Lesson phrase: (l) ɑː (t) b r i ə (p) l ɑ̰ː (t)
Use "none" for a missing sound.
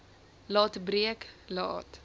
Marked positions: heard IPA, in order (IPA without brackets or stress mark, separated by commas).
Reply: l, t, k, t